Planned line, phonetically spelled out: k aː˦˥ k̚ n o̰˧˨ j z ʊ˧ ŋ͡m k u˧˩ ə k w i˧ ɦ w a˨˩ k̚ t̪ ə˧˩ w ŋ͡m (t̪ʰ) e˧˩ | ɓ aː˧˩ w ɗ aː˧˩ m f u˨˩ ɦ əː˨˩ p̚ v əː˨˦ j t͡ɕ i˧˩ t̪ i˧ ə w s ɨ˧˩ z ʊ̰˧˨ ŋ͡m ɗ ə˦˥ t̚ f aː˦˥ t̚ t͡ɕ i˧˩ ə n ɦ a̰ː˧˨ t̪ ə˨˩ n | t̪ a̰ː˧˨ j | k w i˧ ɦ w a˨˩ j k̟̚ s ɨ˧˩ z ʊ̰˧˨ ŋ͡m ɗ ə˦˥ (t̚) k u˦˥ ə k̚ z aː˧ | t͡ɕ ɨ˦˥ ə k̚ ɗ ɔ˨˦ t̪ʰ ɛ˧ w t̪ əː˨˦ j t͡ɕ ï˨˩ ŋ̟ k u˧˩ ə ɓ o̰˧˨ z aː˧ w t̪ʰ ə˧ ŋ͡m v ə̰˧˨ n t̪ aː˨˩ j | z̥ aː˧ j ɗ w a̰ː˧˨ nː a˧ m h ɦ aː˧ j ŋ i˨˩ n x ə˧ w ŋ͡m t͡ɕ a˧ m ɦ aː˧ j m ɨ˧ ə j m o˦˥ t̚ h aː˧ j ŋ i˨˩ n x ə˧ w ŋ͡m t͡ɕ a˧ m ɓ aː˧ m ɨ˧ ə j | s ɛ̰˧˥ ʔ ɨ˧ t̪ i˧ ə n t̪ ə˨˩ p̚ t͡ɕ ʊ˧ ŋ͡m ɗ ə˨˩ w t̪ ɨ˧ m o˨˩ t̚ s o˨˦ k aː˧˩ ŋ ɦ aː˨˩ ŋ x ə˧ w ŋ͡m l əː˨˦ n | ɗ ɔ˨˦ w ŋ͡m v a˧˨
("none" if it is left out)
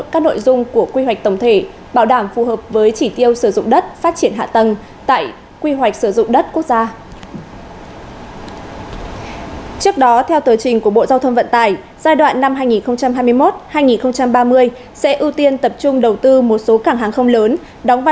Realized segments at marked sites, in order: t̪ʰ, t̚

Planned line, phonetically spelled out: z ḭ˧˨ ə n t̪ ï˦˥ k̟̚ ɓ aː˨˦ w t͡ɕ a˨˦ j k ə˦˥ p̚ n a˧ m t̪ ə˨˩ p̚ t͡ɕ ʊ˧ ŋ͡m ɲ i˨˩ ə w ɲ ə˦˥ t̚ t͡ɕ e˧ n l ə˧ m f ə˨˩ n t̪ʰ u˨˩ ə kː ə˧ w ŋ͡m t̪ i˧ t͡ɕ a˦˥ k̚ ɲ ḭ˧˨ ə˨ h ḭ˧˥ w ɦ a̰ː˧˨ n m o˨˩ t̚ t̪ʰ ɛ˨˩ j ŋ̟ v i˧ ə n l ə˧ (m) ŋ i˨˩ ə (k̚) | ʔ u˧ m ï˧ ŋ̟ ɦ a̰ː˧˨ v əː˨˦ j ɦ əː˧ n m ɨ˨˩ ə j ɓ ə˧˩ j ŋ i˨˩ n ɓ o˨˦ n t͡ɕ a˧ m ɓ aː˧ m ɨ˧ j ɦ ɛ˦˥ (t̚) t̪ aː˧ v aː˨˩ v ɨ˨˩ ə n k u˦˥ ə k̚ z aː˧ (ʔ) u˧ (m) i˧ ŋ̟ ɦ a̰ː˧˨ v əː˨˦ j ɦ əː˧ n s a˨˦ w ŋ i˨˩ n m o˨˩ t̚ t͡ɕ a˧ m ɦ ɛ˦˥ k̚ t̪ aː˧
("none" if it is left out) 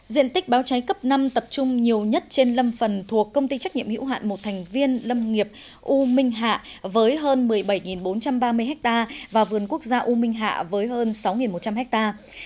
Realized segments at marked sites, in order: m, p̚, k̚, ʔ, m

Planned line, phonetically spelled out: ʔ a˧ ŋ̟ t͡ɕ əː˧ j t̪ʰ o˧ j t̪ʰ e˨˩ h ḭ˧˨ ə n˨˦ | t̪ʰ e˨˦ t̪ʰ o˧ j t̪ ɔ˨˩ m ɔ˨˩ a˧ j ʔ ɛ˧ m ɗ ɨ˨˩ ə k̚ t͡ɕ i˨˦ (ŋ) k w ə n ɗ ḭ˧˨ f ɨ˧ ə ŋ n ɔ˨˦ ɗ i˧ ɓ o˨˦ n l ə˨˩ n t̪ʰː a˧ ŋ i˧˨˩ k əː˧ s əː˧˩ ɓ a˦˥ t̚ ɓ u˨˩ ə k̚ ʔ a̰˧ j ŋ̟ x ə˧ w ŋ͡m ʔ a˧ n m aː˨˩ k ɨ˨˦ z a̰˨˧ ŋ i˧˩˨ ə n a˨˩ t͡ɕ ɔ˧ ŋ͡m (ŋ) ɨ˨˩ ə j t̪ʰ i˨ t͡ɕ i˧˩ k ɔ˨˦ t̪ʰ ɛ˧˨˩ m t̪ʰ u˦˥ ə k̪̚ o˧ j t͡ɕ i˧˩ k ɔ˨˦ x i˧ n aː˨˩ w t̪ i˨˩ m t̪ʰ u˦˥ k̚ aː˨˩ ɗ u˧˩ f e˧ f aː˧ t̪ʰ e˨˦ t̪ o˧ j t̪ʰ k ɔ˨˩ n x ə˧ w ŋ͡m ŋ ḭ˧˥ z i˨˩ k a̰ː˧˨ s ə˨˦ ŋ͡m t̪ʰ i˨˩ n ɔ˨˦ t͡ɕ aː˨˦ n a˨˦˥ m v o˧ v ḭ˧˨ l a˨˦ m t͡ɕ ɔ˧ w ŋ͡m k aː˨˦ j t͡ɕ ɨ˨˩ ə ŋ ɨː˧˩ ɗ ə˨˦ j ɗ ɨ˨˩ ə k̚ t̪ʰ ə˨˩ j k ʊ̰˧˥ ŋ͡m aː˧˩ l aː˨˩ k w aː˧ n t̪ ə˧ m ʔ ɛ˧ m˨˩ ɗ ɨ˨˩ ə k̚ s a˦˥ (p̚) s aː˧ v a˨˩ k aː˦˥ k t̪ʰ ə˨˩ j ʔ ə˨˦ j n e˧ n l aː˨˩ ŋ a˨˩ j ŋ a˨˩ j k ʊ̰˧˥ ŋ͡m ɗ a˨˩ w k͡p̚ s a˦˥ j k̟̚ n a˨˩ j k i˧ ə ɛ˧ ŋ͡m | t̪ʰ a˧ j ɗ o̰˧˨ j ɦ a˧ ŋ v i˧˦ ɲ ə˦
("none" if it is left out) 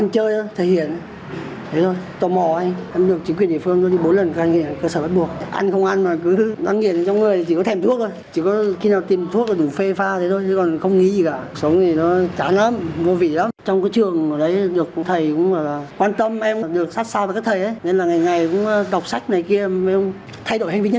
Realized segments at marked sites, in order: ŋ, ŋ, t̚

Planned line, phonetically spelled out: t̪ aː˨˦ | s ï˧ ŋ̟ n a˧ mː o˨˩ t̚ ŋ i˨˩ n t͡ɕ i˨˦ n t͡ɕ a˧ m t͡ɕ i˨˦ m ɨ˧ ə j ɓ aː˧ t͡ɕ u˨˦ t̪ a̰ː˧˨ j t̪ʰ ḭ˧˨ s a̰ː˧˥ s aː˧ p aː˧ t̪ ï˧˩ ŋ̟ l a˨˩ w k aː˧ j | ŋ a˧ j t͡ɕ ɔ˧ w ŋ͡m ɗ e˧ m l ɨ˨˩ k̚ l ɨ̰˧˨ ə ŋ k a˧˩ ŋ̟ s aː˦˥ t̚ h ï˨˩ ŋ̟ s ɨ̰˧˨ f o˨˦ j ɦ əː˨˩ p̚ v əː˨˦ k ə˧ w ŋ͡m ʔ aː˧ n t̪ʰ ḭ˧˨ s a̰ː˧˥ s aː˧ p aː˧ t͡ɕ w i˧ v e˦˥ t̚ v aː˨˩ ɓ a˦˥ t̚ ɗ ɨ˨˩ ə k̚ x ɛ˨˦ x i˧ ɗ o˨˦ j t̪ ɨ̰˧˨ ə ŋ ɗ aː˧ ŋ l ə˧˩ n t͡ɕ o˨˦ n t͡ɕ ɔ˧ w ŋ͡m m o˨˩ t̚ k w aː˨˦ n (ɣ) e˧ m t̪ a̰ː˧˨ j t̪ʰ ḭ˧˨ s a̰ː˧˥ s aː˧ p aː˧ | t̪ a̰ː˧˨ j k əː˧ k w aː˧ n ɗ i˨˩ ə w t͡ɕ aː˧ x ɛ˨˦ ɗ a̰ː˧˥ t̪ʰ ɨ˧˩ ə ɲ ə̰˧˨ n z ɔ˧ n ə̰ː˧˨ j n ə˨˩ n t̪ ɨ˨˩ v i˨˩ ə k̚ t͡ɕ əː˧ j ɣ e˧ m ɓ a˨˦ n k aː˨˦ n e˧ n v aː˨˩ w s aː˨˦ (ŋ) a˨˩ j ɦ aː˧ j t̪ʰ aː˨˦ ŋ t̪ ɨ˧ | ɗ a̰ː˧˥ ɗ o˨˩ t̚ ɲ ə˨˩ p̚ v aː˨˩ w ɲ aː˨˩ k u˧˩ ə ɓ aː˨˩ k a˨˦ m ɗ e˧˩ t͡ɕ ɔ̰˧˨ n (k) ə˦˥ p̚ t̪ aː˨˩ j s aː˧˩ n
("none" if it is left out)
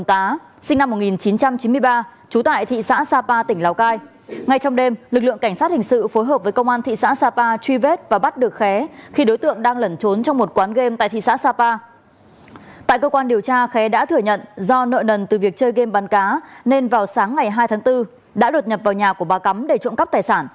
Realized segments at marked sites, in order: ɣ, ŋː, k

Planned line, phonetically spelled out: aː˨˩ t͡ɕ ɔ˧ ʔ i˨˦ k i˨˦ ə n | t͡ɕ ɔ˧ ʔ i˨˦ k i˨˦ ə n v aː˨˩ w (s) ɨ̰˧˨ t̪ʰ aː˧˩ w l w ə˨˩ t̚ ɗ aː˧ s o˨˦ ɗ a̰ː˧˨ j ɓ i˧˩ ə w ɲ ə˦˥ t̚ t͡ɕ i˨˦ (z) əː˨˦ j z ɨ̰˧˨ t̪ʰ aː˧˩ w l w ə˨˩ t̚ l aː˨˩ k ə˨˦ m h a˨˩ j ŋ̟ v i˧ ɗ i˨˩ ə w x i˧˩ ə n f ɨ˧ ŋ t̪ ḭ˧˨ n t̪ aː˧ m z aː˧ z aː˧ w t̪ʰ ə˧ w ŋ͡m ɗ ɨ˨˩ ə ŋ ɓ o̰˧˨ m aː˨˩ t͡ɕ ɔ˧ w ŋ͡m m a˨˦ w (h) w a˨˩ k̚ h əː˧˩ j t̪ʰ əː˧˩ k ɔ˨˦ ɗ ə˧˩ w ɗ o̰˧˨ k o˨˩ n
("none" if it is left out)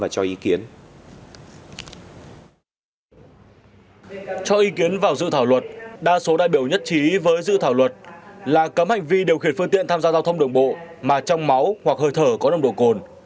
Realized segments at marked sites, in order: z, v, h

